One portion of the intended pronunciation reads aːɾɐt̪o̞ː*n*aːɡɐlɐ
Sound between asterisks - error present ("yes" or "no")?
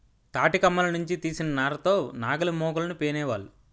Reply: no